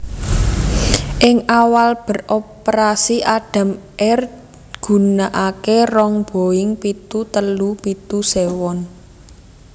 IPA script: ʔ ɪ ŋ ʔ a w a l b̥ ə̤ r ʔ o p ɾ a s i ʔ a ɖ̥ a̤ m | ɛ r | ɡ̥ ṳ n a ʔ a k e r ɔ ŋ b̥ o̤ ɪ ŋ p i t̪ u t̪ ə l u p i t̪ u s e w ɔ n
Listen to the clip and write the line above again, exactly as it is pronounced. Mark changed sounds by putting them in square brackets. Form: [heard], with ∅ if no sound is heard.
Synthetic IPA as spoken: ʔ ɪ ŋ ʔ a w a l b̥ ə̤ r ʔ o p ɾ a s i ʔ a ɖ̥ a̤ m | ɛ r | ɡ̥ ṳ n a ʔ a k e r ɔ ŋ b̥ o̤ ɪ ŋ p i t̪ u t̪ ə l u p i t̪ u s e w ɔ n